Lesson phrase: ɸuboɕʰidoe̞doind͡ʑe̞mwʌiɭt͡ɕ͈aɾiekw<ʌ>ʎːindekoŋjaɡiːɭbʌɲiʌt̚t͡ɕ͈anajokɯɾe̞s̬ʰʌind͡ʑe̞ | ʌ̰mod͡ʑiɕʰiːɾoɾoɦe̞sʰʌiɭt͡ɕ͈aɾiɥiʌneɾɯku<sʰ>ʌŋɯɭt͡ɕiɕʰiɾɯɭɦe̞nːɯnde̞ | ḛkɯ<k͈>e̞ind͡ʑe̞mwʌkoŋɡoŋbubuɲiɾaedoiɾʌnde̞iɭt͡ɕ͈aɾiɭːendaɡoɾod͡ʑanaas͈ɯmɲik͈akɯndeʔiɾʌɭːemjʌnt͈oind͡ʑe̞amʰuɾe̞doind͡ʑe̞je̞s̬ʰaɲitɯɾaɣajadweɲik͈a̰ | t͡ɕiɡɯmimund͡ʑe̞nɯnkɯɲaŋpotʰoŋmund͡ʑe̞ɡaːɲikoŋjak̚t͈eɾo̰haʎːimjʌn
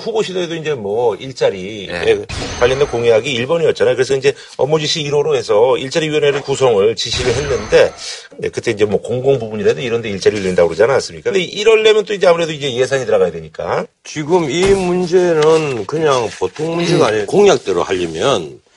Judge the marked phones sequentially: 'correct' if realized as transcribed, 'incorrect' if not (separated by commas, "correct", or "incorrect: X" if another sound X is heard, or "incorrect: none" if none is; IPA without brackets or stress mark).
incorrect: a, correct, incorrect: t͈